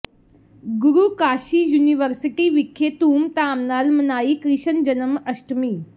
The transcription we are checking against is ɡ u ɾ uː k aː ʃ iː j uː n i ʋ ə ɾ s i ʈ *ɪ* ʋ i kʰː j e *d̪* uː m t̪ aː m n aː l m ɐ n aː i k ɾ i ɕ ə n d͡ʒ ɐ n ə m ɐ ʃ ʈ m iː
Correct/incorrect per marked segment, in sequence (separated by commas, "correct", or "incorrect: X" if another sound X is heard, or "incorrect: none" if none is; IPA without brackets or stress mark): incorrect: i, incorrect: t̪